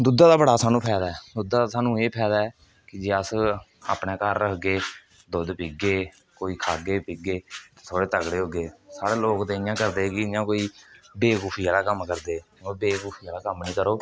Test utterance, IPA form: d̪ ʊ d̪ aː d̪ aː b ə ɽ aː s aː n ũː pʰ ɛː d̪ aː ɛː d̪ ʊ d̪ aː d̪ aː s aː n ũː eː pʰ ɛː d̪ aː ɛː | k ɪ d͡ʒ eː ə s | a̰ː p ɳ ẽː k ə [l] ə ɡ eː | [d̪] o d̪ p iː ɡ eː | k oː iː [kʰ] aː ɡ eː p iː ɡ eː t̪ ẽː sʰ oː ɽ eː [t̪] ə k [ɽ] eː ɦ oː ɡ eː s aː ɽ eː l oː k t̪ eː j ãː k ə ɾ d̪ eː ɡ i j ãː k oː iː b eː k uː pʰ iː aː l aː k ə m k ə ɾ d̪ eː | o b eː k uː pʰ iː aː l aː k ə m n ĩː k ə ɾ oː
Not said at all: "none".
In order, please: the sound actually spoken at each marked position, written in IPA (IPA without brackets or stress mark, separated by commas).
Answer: ɾ, d̪, kʰ, t̪, ɽ